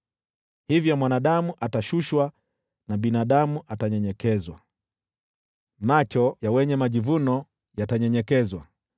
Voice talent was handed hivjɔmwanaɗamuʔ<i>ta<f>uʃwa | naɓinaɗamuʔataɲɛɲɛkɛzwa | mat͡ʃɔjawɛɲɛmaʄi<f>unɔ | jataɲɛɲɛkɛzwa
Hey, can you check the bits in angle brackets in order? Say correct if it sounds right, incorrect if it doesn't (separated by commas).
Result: incorrect, incorrect, incorrect